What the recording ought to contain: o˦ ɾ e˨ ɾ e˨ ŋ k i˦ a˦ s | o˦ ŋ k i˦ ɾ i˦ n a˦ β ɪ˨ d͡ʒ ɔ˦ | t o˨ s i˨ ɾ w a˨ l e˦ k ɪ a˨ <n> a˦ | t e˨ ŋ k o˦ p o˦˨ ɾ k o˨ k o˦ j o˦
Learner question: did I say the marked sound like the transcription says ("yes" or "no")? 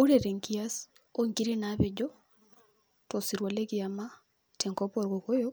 no